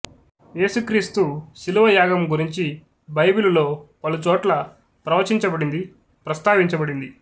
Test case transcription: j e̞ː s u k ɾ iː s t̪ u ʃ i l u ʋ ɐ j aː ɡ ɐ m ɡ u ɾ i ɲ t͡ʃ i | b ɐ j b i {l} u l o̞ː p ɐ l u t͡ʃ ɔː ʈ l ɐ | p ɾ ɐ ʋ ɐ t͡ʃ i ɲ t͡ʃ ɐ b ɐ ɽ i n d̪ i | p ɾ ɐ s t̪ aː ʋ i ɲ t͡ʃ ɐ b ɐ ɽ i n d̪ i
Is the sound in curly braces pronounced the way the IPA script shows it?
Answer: yes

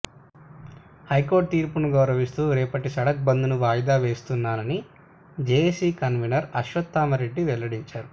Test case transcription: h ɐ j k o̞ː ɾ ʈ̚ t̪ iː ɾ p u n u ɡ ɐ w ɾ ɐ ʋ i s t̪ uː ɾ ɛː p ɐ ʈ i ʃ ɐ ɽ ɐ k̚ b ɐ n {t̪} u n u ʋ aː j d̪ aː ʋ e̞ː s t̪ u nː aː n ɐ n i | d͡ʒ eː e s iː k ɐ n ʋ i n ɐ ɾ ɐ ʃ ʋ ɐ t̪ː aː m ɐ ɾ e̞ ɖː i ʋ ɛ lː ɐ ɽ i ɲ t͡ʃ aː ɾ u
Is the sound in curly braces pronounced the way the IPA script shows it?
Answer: no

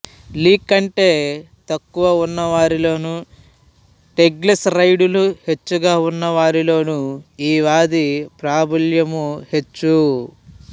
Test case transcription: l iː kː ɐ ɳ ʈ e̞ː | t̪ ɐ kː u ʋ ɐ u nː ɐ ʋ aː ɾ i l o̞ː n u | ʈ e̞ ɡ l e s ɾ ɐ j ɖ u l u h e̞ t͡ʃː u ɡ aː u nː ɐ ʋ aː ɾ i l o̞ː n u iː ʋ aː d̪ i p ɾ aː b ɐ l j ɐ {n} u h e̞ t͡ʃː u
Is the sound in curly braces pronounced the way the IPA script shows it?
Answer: no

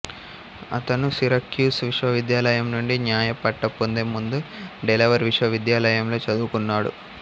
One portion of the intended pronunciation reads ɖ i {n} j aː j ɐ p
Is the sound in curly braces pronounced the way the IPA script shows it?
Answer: yes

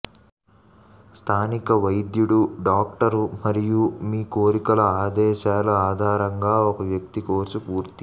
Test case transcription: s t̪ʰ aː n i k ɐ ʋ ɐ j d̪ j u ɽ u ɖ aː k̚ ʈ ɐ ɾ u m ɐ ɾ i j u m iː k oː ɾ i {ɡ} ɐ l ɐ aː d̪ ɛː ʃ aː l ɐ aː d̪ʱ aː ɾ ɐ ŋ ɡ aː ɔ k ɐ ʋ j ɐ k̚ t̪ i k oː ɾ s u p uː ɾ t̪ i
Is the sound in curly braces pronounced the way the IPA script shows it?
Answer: no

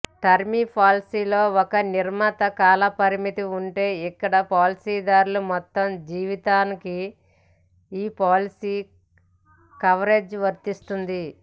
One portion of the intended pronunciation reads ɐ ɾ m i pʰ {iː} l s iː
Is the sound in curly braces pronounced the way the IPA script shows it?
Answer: no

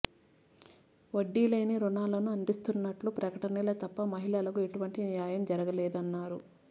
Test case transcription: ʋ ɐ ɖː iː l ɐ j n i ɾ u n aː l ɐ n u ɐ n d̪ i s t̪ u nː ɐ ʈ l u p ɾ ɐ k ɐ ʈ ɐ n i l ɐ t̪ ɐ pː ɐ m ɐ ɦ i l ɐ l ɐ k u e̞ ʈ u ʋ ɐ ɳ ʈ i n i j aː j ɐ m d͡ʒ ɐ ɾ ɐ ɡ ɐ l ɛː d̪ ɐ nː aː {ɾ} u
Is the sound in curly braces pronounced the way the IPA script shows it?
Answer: yes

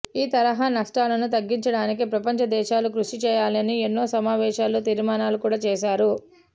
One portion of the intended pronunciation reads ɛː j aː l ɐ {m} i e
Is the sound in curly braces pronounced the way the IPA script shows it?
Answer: no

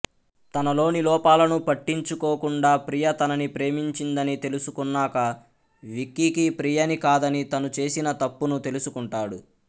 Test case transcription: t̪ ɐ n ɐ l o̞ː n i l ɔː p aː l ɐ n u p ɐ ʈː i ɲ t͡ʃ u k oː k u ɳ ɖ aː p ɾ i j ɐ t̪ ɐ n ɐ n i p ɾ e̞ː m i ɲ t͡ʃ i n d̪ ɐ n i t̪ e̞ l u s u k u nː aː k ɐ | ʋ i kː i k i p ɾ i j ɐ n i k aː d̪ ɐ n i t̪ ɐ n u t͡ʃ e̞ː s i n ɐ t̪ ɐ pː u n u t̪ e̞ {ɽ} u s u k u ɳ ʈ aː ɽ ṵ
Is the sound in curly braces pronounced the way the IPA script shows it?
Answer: no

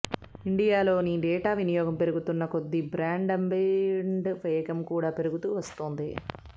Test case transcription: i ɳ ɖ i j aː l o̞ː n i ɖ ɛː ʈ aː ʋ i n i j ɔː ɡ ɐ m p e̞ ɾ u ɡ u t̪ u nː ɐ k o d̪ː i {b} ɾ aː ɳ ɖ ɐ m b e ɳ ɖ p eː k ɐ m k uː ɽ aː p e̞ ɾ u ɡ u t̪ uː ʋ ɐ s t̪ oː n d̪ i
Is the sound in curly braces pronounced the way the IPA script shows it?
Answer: yes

